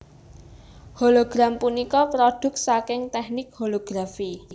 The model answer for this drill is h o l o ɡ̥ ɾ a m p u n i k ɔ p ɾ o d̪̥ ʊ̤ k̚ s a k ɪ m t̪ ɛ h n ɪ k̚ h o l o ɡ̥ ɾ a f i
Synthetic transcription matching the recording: h o l o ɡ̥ ɾ a m p u n i k ɔ p ɾ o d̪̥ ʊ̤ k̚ s a k ɪ ŋ t̪ ɛ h n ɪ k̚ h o l o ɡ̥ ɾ a f i